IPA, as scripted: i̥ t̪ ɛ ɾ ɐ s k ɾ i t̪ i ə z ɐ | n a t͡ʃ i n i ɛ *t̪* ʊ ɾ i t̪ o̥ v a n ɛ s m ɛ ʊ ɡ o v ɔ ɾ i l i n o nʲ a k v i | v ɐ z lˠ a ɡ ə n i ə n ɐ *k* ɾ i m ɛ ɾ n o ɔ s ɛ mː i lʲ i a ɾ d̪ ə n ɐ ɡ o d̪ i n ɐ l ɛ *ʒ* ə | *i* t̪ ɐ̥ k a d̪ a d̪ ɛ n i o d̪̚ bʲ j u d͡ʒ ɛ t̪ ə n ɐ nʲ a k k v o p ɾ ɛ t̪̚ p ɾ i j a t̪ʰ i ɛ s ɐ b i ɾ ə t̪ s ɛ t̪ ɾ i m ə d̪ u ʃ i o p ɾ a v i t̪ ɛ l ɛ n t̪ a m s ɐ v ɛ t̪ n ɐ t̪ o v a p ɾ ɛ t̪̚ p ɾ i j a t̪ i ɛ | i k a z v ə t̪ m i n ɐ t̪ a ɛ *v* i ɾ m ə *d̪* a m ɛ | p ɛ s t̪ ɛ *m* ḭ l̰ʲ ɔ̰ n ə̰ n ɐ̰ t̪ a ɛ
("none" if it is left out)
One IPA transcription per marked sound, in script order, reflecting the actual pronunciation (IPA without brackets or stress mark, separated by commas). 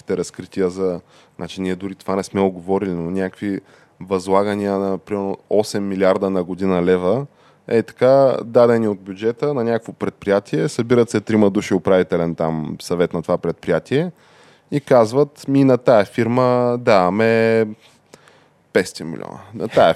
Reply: d̪, p, v, ɛ, f, d̪, m